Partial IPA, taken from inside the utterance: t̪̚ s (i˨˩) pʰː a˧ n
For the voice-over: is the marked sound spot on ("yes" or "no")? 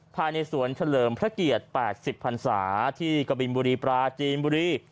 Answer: yes